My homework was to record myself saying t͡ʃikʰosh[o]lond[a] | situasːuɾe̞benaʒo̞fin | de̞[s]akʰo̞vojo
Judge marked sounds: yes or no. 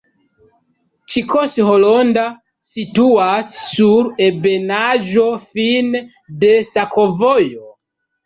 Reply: yes, yes, yes

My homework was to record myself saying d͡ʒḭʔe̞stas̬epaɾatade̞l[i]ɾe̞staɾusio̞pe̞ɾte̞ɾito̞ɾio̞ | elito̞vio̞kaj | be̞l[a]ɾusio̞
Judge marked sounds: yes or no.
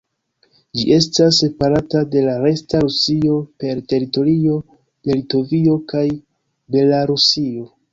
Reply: no, yes

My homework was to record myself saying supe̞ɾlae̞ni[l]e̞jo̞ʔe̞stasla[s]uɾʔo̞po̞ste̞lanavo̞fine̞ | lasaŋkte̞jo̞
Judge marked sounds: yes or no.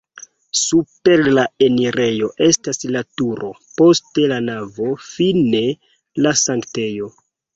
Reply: no, no

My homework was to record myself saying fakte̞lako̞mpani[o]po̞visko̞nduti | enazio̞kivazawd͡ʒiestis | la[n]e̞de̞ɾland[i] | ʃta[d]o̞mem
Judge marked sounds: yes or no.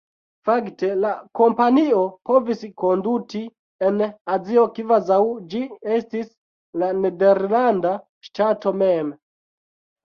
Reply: yes, yes, no, no

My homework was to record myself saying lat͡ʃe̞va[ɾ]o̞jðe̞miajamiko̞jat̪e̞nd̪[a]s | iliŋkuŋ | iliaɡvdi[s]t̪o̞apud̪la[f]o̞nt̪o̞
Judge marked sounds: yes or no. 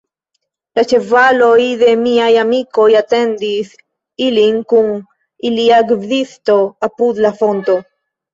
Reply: no, no, yes, yes

